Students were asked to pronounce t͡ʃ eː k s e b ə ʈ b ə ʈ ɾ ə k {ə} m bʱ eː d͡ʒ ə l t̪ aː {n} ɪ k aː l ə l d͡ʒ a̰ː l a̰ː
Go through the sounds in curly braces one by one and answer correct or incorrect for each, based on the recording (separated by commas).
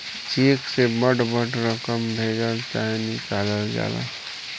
correct, correct